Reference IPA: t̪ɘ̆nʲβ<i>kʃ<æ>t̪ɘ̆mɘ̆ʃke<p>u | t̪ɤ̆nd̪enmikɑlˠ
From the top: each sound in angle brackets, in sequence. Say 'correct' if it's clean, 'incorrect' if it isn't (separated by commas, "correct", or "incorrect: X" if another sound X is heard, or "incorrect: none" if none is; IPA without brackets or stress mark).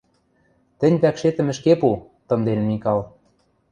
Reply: incorrect: æ, incorrect: e, correct